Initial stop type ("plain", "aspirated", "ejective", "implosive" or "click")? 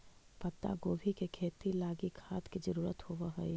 plain